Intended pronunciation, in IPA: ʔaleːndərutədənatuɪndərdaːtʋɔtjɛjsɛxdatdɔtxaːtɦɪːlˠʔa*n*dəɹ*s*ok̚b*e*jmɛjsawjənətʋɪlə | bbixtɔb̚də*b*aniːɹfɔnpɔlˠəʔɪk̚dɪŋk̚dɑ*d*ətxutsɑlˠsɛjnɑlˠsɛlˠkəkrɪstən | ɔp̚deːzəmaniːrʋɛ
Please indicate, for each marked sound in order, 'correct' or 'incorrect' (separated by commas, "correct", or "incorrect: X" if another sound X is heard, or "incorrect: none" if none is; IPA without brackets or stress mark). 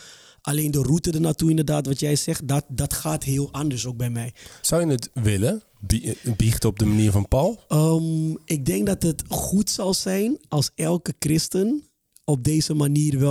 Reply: correct, correct, incorrect: ɛ, incorrect: m, incorrect: t